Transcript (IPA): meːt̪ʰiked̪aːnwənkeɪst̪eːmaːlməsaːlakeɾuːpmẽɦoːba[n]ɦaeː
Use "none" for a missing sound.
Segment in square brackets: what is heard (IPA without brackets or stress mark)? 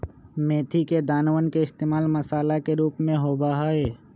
none